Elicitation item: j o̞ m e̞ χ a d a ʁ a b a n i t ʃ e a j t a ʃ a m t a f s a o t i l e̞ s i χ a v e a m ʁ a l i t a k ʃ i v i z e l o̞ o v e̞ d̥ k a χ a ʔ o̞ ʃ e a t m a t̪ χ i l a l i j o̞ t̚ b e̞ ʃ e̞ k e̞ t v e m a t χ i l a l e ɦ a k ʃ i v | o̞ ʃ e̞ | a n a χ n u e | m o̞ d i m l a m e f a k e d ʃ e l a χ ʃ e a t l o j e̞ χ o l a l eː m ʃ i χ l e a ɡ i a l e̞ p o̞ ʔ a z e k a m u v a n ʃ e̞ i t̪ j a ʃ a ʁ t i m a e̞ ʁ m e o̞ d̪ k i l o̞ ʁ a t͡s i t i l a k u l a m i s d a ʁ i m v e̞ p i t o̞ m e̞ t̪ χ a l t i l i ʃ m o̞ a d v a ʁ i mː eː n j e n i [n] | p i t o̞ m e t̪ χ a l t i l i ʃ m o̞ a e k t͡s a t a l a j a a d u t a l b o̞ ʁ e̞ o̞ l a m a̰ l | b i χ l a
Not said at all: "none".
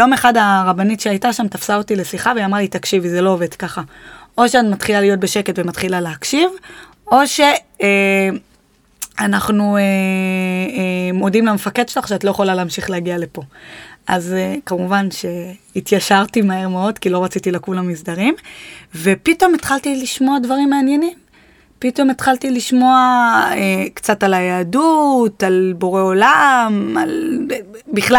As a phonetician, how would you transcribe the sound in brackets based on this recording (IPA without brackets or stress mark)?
m